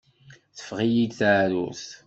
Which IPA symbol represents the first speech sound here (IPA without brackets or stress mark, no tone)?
θ